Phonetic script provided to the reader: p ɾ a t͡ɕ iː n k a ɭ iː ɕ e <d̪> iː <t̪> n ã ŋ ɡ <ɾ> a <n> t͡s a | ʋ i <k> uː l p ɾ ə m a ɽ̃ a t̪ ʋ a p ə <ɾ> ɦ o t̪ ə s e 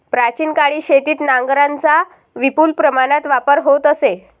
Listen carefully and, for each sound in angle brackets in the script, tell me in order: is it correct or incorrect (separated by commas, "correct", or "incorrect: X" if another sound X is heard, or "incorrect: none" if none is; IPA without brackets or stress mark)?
incorrect: t̪, correct, correct, correct, incorrect: p, correct